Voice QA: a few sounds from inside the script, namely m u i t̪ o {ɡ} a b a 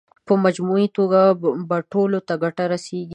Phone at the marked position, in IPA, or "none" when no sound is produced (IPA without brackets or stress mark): ɡ